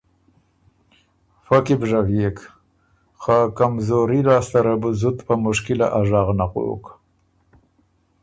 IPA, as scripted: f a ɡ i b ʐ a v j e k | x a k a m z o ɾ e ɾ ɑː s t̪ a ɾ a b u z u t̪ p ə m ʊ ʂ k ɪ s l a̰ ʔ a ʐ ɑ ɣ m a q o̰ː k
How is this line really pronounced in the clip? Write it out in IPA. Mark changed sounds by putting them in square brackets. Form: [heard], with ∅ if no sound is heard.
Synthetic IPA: f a [k] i b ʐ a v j e k | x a k a m z o ɾ [i] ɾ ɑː s t̪ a ɾ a b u z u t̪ p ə m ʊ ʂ k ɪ [∅] l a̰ ʔ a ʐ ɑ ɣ [n] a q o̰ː k